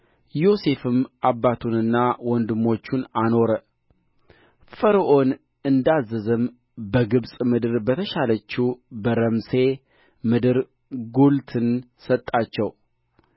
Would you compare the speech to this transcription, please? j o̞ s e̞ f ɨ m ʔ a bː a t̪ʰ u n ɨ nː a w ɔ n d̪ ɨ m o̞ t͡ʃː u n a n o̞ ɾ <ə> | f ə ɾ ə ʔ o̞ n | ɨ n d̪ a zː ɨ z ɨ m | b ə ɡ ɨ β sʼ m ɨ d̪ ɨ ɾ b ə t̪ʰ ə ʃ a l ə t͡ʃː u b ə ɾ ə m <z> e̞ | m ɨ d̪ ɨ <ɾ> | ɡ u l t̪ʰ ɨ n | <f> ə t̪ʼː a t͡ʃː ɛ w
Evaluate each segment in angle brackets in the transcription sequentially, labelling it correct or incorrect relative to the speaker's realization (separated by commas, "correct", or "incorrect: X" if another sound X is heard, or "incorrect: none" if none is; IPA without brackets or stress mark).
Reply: correct, incorrect: s, correct, incorrect: s